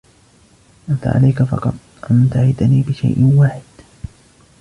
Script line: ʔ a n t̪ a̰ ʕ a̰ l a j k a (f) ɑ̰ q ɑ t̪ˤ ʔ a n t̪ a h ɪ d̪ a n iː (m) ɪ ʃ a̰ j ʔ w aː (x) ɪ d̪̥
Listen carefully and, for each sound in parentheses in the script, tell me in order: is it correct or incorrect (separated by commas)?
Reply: correct, incorrect, incorrect